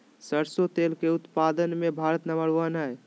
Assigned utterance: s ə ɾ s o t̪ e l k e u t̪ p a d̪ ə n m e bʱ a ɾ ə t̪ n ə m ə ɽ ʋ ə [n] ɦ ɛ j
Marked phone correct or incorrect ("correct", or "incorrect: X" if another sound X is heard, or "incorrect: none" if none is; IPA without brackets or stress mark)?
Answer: correct